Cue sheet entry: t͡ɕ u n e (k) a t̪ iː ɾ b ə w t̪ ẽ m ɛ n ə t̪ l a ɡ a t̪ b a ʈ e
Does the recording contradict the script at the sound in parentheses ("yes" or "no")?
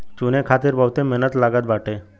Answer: yes